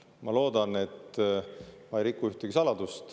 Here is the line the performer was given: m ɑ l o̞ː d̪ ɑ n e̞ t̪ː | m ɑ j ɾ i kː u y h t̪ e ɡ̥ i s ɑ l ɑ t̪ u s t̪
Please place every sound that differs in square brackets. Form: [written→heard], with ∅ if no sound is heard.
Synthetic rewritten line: m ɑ l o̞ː d̪ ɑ n e̞ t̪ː | m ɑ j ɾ i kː u y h t̪ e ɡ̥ i s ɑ l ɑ [t̪→d̪] u s t̪